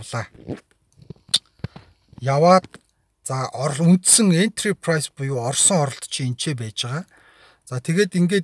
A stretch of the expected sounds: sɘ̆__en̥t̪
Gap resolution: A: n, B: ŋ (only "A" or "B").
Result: B